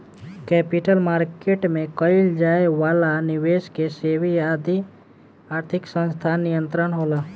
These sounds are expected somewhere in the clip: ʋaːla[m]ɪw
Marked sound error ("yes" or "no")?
yes